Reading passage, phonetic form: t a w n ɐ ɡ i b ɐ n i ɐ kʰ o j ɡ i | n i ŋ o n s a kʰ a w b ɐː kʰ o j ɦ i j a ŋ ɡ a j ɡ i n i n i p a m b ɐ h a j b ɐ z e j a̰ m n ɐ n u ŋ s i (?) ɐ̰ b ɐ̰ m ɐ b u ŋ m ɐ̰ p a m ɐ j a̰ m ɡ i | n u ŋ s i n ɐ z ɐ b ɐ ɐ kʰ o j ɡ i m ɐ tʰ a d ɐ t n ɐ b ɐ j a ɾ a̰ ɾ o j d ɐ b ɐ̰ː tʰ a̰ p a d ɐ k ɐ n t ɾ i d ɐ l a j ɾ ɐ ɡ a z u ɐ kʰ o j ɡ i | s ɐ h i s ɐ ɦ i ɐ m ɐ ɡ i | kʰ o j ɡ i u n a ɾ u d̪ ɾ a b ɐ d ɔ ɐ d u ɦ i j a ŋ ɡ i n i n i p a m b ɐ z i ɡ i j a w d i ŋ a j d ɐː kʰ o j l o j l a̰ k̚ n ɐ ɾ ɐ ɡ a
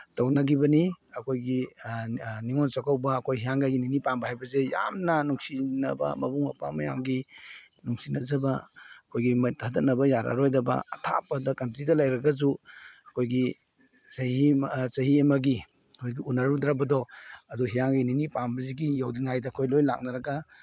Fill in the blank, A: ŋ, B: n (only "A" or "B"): B